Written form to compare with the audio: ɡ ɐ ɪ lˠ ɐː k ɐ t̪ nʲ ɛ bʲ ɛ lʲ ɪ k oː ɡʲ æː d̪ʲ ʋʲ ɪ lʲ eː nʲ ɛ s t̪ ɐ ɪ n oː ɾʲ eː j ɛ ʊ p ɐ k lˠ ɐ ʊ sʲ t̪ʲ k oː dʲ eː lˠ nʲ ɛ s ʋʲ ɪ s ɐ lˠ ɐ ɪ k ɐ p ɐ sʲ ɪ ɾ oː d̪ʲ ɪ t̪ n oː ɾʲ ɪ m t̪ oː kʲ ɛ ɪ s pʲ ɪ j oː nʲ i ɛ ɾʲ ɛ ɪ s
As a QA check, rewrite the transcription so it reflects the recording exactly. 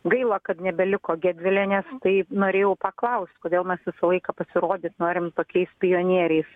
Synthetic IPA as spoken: ɡ ɐ ɪ lˠ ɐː k ɐ t̪ nʲ ɛ bʲ ɛ lʲ ɪ k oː ɡʲ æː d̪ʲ ʋʲ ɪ lʲ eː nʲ ɛ s t̪ ɐ ɪ n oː ɾʲ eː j ɛ ʊ p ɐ k lˠ ɐ ʊ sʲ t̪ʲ k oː dʲ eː lˠ mʲ ɛ s ʋʲ ɪ s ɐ lˠ ɐ ɪ k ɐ p ɐ sʲ ɪ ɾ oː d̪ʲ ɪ t̪ n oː ɾʲ ɪ m t̪ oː kʲ ɛ ɪ s pʲ ɪ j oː nʲ i ɛ ɾʲ ɛ ɪ s